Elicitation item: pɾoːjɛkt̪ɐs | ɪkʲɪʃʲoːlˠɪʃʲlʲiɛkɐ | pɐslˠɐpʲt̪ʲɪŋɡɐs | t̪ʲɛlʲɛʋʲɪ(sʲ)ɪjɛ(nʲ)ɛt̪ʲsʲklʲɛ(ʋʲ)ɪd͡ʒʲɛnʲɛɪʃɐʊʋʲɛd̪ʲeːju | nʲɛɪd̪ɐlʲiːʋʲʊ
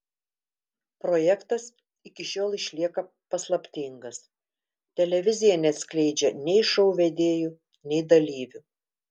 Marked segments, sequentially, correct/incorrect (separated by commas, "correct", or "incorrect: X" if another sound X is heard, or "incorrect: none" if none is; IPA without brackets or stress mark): incorrect: zʲ, correct, incorrect: none